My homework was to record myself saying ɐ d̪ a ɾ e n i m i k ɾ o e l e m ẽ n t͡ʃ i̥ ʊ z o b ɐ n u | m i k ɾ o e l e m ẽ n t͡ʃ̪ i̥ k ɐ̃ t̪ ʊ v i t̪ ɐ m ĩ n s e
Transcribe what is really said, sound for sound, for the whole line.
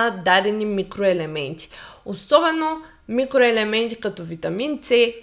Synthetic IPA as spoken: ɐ d̪ a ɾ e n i m i k ɾ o e l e m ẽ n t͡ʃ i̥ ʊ s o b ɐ n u | m i k ɾ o e l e m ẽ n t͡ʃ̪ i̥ k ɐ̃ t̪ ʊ v i t̪ ɐ m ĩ n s e